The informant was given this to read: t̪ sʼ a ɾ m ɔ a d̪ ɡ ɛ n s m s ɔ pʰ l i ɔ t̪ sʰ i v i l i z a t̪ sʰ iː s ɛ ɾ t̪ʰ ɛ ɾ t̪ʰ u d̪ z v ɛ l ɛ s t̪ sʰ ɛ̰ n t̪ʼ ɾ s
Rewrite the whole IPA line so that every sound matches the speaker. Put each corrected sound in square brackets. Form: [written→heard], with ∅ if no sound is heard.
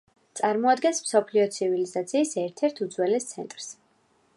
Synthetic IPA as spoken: t̪ sʼ a ɾ m ɔ a d̪ ɡ ɛ n s m s ɔ pʰ l i ɔ t̪ sʰ i v i l i z a t̪ sʰ iː s ɛ ɾ t̪ʰ ɛ ɾ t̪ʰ u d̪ z [v→w] ɛ l ɛ s t̪ sʰ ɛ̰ n t̪ʼ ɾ s